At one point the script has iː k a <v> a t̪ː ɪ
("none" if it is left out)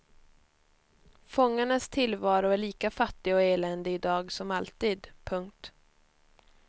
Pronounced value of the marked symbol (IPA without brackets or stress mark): f